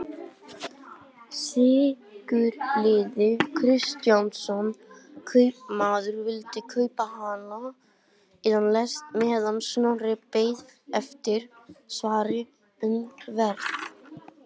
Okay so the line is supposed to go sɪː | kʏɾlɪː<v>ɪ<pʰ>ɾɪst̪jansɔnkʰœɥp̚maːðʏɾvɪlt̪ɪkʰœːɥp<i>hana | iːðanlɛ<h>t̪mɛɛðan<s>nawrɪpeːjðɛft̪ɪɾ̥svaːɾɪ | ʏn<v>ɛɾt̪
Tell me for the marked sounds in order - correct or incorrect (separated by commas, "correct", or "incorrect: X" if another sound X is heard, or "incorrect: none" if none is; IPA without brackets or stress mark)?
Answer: incorrect: ð, incorrect: kʰ, incorrect: a, incorrect: s, correct, correct